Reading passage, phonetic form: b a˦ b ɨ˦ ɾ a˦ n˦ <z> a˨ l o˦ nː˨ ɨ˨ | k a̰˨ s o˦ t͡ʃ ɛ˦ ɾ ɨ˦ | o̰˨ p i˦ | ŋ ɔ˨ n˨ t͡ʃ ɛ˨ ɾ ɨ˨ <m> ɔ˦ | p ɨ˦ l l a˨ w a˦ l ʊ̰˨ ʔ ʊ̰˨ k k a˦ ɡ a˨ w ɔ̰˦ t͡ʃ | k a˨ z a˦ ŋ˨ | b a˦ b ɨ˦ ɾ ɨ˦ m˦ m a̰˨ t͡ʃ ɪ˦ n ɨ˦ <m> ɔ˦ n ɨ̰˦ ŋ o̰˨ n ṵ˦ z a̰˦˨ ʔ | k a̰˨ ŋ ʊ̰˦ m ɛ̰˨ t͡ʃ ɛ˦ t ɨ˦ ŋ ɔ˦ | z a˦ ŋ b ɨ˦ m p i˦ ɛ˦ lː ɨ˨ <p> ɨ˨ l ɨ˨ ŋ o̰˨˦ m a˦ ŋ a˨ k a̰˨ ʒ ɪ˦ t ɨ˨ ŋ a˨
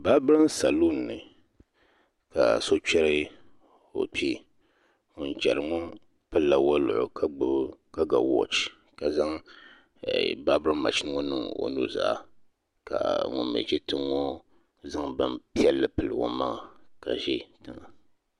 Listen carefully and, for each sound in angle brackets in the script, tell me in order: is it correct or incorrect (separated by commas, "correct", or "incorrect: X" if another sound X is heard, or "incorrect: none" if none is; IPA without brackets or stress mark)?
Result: incorrect: s, incorrect: ŋ, incorrect: ŋ, correct